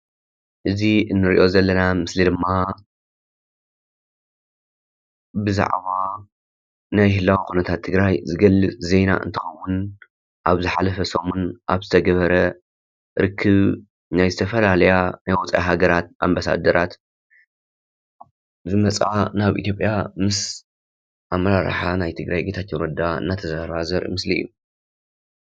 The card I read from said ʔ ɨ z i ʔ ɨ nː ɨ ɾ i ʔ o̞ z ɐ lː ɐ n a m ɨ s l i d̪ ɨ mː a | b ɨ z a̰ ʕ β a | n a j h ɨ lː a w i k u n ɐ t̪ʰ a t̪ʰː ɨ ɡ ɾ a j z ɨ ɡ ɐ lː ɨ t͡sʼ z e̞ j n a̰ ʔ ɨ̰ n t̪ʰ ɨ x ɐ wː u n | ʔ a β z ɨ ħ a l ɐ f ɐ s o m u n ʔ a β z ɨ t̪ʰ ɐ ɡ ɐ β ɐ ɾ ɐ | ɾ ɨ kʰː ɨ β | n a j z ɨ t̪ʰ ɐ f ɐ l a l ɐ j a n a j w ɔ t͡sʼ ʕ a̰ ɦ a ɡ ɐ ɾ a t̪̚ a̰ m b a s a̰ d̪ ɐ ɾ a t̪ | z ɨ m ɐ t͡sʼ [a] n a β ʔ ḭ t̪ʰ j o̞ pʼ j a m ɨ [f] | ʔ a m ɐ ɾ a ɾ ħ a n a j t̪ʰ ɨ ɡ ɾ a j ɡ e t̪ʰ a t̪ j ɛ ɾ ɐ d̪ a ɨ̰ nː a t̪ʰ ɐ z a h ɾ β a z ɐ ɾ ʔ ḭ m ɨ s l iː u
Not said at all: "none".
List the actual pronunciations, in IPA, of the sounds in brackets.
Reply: a, s

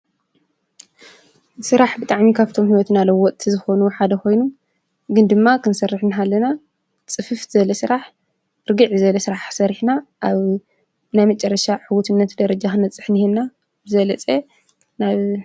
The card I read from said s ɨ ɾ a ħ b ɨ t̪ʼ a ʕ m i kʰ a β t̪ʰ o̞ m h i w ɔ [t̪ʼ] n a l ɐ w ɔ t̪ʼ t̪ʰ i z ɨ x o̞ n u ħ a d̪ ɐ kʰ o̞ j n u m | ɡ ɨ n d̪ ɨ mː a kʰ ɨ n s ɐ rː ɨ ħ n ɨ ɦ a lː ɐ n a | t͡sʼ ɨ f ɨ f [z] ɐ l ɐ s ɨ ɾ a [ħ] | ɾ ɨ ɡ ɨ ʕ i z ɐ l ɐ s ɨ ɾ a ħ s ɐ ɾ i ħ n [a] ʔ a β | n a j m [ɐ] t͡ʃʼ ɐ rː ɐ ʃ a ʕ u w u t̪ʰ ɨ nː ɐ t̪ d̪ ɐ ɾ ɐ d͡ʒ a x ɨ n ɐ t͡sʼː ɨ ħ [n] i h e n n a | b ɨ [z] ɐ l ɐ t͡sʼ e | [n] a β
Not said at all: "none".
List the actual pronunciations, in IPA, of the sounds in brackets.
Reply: t̪, z, ħ, a, ɐ, n, z, n

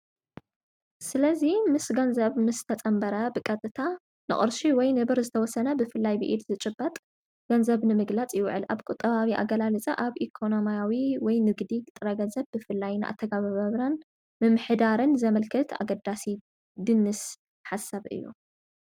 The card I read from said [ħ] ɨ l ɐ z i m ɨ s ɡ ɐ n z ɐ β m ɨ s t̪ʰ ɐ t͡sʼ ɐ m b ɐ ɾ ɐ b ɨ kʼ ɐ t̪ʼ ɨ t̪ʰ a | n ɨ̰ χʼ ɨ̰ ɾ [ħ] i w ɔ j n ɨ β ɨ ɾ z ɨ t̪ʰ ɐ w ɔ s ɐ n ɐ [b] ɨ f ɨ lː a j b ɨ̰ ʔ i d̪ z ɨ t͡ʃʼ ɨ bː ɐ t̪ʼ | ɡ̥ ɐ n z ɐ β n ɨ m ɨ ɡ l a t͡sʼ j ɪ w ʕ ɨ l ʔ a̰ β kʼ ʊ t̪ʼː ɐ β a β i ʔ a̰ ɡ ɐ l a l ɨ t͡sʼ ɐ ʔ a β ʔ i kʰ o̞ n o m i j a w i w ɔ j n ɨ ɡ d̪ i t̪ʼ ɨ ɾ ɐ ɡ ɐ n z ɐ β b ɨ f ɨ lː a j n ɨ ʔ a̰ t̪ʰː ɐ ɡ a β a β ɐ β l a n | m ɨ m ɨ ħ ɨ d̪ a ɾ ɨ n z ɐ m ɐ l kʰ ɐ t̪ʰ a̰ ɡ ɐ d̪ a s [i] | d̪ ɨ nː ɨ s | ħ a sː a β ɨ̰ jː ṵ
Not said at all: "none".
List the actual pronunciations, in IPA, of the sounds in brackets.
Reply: s, ʃ, b, i

